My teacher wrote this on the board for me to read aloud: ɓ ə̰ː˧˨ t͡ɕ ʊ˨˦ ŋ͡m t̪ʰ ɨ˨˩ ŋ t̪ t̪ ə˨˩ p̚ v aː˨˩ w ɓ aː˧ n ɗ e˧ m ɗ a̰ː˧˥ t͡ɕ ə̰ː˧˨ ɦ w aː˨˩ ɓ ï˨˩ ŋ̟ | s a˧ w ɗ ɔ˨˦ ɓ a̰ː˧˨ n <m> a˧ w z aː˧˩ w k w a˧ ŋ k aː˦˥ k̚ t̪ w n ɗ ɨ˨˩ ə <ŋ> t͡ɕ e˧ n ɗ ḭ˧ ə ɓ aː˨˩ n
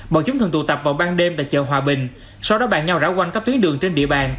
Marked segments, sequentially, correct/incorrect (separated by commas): incorrect, correct